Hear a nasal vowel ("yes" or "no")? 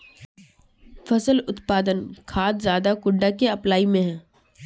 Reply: yes